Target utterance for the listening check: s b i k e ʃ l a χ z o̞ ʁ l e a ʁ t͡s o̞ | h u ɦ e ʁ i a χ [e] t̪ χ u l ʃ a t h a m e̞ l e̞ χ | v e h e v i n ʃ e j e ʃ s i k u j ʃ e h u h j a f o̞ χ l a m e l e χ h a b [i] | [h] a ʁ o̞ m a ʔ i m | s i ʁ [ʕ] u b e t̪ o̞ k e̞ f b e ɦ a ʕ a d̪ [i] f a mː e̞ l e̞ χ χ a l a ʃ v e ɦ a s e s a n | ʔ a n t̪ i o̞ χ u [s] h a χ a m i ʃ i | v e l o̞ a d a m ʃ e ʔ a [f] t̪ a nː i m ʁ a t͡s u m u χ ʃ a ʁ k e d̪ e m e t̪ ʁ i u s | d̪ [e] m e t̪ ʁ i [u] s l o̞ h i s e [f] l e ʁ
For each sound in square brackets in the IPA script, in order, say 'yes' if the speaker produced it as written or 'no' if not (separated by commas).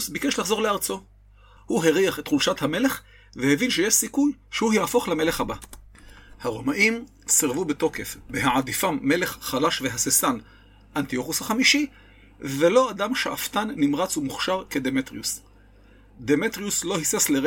yes, no, yes, no, yes, yes, yes, yes, yes, no